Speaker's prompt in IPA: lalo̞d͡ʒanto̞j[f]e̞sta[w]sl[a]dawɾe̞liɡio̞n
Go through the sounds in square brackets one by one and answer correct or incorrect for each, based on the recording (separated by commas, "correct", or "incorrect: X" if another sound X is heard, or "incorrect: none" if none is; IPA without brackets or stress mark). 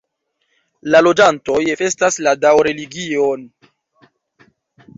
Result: correct, incorrect: none, correct